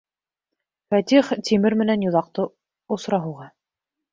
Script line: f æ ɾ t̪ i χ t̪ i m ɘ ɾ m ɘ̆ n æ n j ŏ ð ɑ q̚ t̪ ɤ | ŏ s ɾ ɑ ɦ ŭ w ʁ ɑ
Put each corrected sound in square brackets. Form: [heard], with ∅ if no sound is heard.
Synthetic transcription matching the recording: f æ [∅] t̪ i χ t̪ i m ɘ ɾ m ɘ̆ n æ n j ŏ ð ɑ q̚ t̪ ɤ | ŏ s ɾ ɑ ɦ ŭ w ʁ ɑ